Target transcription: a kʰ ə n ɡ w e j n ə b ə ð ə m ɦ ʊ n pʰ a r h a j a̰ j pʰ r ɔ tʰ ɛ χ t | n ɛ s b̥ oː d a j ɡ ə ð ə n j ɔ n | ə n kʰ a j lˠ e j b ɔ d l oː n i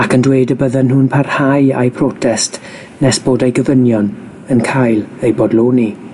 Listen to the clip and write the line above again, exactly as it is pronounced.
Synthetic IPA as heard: a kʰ ə n d w e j d ə b ə ð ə n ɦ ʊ n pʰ a r h a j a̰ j pʰ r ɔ tʰ ɛ s t | n ɛ s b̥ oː d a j ɡ ə v ə n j ɔ n | ə n kʰ a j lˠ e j b ɔ d l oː n i